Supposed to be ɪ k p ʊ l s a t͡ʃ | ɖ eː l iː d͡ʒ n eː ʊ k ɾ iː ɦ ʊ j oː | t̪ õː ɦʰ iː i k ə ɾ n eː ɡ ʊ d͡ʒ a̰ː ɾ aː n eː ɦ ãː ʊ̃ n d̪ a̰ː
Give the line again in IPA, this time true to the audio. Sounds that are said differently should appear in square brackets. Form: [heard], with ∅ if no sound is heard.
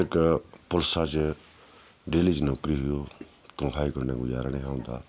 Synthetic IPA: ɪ k p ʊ l s a t͡ʃ | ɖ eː l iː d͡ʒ n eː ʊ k ɾ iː ɦ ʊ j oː | t̪ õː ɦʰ [aː] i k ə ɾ n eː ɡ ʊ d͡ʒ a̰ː ɾ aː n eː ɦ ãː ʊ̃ n d̪ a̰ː